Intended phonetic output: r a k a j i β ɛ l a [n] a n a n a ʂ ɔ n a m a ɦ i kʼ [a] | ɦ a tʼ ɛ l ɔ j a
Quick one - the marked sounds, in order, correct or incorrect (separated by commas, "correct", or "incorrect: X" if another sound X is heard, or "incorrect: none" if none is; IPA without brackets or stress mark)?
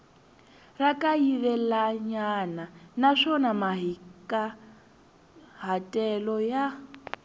incorrect: ɲ, correct